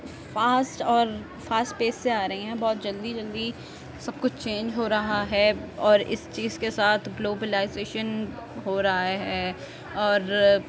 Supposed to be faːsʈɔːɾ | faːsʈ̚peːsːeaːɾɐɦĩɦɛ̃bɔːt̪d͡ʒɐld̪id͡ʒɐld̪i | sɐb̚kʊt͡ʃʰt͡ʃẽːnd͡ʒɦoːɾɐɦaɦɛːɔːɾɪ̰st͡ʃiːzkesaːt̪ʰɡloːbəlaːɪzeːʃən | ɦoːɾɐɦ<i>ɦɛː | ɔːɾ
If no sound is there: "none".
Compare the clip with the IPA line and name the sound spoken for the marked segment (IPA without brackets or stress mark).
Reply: a